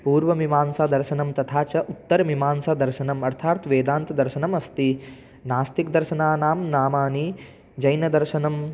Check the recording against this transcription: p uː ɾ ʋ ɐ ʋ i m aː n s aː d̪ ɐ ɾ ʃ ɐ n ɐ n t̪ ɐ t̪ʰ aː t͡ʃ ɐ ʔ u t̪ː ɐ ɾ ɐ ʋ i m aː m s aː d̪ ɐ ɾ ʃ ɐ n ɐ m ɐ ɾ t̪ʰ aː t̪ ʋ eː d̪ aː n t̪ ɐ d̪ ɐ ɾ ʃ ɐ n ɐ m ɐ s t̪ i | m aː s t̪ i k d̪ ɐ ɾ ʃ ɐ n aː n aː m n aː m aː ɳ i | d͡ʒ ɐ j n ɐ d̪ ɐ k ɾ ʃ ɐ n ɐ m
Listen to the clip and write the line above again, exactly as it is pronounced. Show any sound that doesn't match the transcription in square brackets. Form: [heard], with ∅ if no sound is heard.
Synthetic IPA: p uː ɾ ʋ ɐ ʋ i m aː n s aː d̪ ɐ ɾ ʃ ɐ n ɐ [m] t̪ ɐ t̪ʰ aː t͡ʃ ɐ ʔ u t̪ː ɐ ɾ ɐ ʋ i m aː [n] s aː d̪ ɐ ɾ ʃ ɐ n ɐ m ɐ ɾ t̪ʰ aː t̪ ʋ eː d̪ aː n t̪ ɐ d̪ ɐ ɾ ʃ ɐ n ɐ m ɐ s t̪ i | [n] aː s t̪ i k d̪ ɐ ɾ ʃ ɐ n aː n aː m n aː m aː [n] i | d͡ʒ ɐ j n ɐ d̪ ɐ [∅] ɾ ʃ ɐ n ɐ m